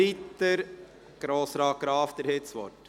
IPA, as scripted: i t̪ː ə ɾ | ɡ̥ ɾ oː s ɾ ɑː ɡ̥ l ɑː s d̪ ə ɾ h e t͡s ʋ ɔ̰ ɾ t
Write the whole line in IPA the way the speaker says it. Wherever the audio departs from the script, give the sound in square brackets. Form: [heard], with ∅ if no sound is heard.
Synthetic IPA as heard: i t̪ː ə ɾ | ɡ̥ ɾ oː s ɾ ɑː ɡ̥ [ɾ] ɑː [f] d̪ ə ɾ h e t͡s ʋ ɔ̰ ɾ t